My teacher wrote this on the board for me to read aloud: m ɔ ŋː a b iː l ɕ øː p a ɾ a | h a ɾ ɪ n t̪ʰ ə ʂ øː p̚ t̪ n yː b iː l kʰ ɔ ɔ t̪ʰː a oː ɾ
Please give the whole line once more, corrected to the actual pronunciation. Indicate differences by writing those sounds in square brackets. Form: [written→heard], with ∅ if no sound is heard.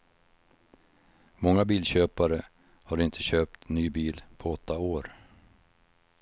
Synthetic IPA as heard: m ɔ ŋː a b iː l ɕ øː p a ɾ [a→ə] | h a ɾ ɪ n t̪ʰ ə [ʂ→ɕ] øː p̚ t̪ n yː b iː l [kʰ→pʰ] ɔ ɔ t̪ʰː a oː ɾ